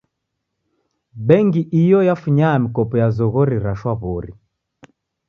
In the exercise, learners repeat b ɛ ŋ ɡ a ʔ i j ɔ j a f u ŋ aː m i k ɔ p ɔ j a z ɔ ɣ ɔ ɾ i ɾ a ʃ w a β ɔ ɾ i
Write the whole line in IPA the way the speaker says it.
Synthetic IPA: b ɛ ŋ ɡ i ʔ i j ɔ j a f u ɲ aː m i k ɔ p ɔ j a z ɔ ɣ ɔ ɾ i ɾ a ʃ w a β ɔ ɾ i